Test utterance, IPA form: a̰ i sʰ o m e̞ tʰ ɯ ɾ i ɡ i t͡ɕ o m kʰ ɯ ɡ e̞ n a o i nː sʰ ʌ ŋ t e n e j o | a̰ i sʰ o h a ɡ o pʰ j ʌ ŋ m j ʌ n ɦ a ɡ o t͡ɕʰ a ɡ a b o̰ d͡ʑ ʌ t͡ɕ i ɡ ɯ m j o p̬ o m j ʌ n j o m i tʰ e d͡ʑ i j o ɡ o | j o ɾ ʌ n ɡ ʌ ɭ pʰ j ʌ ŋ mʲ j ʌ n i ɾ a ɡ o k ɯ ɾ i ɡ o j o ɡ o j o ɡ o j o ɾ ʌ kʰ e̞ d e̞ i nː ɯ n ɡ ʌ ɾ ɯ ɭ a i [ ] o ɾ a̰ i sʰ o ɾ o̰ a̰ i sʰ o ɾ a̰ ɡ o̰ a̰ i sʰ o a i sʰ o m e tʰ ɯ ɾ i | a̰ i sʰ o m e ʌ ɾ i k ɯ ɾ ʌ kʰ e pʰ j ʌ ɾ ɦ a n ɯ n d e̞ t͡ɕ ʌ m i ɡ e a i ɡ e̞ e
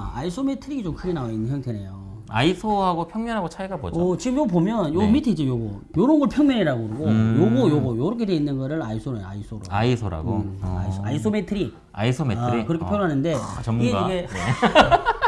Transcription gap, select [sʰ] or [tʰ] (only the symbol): sʰ